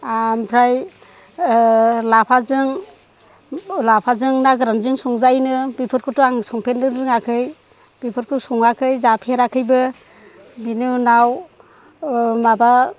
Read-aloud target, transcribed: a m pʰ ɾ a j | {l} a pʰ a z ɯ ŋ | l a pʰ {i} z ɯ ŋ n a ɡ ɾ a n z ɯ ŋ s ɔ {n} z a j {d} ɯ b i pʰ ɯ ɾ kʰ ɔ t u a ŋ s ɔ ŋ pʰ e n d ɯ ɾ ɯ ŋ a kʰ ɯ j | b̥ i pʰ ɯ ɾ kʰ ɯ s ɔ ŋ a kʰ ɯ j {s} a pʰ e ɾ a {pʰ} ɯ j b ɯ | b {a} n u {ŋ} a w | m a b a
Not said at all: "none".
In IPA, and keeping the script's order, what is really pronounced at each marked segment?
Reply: l, a, ŋ, n, z, kʰ, i, n

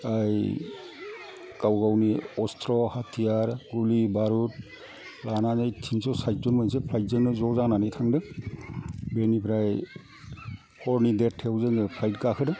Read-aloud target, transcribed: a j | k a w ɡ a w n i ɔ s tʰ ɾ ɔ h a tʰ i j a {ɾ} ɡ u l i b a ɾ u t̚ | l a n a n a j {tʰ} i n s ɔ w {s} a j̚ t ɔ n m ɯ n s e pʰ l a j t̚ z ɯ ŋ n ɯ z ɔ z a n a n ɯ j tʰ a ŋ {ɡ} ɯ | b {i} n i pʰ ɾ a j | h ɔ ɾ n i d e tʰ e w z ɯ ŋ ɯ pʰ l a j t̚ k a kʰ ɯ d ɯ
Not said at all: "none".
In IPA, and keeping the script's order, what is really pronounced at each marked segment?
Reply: ɾ, tʰ, s, d, e

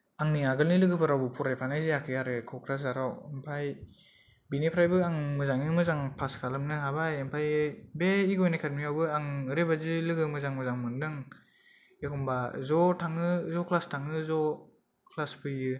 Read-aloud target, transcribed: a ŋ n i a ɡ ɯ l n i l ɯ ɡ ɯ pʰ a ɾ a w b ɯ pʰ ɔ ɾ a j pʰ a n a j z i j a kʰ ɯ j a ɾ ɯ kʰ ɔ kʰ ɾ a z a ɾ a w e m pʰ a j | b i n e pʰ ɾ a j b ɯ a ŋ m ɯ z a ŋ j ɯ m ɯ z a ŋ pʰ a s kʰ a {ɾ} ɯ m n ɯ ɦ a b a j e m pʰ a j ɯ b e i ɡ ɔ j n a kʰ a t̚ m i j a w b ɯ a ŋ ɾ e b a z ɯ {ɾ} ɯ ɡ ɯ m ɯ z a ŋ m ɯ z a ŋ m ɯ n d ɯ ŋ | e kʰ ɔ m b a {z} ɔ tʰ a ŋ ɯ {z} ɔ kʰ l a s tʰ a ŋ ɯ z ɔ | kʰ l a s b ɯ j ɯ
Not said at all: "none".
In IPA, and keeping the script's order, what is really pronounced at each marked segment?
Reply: l, l, z, z

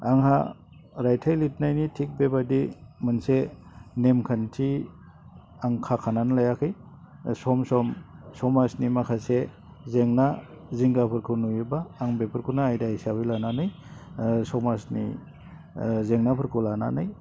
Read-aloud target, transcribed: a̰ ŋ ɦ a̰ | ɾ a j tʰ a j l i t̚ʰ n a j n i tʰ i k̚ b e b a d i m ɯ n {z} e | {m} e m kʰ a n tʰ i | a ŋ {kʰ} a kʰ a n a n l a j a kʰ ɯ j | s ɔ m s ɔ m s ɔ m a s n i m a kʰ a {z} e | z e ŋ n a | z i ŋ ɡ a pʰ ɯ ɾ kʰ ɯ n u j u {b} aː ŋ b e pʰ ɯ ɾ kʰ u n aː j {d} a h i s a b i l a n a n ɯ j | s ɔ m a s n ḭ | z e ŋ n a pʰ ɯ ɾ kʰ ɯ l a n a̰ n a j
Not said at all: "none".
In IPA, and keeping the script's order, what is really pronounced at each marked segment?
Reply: s, n, kʰ, s, b, d

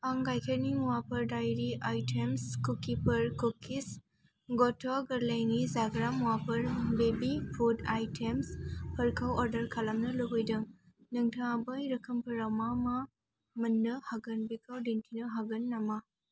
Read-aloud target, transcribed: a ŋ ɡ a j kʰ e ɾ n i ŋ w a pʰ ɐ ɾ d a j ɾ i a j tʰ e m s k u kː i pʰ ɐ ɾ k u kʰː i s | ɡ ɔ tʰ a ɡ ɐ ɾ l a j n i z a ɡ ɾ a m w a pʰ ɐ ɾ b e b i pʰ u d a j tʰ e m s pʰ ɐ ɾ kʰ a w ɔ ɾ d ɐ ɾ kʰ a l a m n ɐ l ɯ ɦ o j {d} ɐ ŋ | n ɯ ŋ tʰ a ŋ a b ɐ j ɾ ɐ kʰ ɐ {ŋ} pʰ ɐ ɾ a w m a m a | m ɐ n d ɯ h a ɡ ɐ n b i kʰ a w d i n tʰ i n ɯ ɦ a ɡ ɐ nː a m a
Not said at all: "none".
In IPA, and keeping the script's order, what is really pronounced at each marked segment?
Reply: d, m

